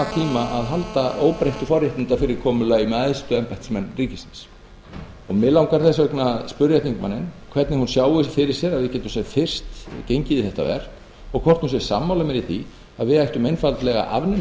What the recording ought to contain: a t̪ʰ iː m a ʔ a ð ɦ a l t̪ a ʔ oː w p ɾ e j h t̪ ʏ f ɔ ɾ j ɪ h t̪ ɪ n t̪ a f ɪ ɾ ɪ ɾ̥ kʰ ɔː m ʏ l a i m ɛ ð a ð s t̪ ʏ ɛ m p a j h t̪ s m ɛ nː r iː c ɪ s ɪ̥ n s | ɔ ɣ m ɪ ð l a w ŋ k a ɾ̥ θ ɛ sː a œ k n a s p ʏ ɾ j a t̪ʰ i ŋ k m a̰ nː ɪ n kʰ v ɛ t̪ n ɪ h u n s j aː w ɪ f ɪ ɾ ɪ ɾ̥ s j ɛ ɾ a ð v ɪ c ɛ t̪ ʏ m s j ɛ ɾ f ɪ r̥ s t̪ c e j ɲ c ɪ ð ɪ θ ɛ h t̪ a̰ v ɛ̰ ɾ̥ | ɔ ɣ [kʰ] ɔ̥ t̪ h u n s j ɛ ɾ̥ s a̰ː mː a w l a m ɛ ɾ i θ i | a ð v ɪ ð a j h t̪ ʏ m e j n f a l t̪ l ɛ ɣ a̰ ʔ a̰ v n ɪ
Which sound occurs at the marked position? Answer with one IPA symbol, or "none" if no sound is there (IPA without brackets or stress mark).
kʰ